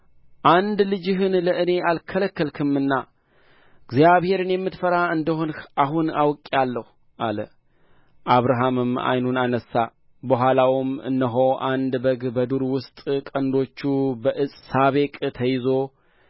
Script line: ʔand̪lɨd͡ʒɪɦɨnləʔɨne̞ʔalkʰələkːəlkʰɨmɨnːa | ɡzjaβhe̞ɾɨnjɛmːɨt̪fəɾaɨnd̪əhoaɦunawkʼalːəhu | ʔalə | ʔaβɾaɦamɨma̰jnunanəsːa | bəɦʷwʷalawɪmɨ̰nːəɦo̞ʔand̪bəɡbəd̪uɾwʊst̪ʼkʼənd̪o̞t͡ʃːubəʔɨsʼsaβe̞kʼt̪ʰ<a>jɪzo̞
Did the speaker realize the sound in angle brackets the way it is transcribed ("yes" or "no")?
no